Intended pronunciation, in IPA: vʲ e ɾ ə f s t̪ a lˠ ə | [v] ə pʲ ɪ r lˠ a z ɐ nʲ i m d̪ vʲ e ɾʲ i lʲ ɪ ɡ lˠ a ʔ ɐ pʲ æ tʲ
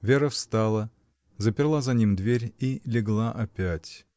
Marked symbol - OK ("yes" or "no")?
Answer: no